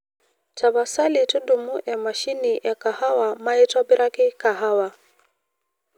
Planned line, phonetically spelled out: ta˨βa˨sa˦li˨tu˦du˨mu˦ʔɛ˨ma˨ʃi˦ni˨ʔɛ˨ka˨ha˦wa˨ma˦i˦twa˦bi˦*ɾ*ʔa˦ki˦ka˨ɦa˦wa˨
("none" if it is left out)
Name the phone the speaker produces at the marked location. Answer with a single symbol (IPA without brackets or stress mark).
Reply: ɾ